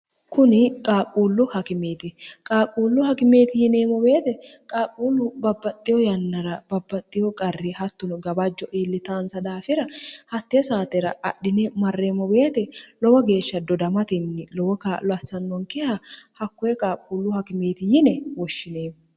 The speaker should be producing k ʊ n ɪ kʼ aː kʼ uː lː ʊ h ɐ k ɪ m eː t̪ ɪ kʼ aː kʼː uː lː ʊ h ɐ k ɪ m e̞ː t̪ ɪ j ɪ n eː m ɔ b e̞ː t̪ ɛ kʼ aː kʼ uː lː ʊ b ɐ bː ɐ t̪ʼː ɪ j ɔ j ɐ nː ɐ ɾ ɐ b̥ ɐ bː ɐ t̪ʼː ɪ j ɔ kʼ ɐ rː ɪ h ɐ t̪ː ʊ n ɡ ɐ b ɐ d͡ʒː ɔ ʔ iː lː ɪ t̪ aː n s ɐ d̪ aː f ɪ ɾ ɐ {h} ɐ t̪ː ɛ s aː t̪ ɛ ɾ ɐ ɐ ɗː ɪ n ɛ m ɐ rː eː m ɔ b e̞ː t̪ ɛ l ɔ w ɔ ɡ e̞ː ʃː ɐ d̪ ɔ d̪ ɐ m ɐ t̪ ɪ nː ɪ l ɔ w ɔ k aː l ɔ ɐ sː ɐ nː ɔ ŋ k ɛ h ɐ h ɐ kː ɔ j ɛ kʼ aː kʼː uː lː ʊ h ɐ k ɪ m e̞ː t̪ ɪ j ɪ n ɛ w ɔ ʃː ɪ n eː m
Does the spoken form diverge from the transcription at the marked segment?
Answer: no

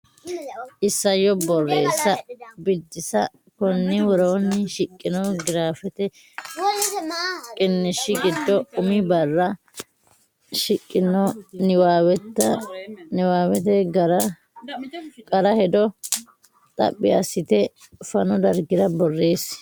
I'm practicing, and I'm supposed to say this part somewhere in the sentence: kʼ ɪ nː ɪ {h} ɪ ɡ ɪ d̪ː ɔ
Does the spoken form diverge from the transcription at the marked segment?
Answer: yes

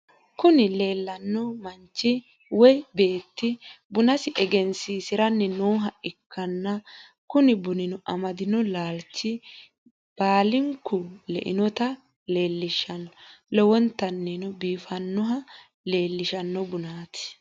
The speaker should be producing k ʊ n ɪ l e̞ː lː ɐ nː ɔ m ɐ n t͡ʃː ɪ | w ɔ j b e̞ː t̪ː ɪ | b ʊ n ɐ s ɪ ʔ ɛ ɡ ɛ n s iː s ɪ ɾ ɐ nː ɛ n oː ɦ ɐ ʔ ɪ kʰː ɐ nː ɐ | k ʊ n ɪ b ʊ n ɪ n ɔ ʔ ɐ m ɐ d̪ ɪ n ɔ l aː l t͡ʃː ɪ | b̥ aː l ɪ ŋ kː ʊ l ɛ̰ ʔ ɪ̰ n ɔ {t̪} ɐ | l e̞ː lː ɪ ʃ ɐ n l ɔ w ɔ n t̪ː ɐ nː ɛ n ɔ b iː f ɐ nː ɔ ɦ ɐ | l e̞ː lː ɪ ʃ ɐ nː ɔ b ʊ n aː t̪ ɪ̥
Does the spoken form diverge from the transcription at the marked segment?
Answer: no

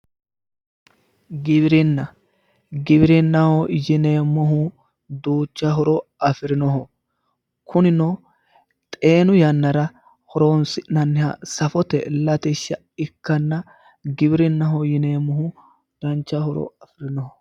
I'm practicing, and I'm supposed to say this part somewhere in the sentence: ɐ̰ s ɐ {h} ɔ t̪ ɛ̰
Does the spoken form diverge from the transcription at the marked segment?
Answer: yes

